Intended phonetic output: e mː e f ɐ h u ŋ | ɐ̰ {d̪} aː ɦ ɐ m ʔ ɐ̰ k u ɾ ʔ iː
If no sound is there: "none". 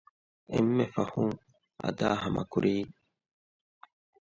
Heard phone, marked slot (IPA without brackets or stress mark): d̪